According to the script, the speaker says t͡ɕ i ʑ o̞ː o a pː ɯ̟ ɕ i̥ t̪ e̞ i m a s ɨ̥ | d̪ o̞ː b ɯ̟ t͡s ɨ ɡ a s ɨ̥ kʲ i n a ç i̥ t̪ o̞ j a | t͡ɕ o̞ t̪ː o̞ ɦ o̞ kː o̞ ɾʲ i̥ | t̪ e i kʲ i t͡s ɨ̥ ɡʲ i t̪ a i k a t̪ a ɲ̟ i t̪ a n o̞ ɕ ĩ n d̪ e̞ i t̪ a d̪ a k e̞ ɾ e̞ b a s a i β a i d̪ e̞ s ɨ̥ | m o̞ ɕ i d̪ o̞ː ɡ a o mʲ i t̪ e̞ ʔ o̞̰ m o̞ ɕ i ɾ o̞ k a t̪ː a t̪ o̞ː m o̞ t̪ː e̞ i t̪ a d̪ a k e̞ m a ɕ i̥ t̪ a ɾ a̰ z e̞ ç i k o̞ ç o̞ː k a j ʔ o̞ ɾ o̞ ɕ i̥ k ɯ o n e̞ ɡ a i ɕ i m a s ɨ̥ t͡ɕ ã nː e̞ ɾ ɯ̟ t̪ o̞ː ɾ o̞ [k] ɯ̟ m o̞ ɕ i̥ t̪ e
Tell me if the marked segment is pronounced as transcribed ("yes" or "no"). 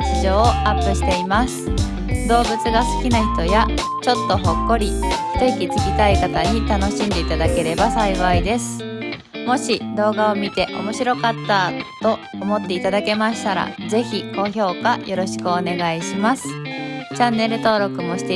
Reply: yes